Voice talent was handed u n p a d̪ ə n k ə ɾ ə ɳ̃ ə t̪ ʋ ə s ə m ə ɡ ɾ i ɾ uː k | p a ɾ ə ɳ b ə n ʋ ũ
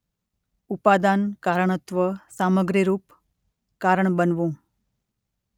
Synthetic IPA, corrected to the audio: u p a d̪ a n k a ɾ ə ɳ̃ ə t̪ ʋ ə s a m ə ɡ ɾ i ɾ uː p | k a ɾ ə ɳ b ə n ʋ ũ

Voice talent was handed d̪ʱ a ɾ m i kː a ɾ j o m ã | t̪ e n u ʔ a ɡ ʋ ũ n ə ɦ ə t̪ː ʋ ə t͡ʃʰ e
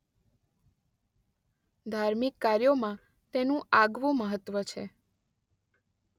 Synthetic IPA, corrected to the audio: d̪ʱ a ɾ m i kː a ɾ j o m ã | t̪ e n ũ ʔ a ɡ ʋ ũ m ə ɦ ə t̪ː ʋ ə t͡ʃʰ e

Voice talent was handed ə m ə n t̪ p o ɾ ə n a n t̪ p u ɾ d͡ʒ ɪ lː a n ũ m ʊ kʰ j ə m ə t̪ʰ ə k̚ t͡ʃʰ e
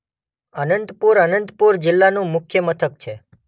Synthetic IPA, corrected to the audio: ə n ə n t̪ p u ɾ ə n ə n t̪ p u ɾ d͡ʒ ɪ lː a n ũ m ʊ kʰ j ə m ə t̪ʰ ə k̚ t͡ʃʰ e

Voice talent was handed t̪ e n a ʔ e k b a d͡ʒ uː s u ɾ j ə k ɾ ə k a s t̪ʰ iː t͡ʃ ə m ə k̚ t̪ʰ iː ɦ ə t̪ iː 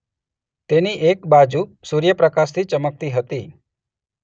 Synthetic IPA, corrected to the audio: t̪ e n i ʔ e k b a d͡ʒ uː s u ɾ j ə p ɾ ə k a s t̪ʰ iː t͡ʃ ə m ə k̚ t̪ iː ɦ ə t̪ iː

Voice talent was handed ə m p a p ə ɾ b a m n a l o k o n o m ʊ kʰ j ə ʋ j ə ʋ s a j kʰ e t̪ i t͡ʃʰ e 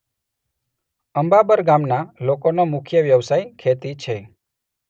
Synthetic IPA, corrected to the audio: ə m b a b ə ɾ ɡ a m n a l o k o n o m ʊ kʰ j ə ʋ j ə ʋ s a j kʰ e t̪ i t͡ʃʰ e

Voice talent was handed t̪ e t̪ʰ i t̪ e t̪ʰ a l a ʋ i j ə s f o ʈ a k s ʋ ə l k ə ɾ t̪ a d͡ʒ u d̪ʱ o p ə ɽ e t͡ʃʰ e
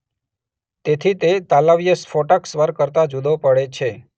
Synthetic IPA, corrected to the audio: t̪ e t̪ʰ i t̪ e t̪ a l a ʋ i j ə s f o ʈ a k s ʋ ə ɾ k ə ɾ t̪ a d͡ʒ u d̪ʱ o p ə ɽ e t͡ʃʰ e

